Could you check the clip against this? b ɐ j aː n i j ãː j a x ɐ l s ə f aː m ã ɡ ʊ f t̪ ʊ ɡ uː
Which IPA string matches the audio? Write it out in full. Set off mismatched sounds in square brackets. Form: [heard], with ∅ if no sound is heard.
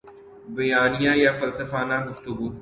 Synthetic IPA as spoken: b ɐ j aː n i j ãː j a [f] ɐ l s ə f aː [n] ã ɡ ʊ f t̪ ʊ ɡ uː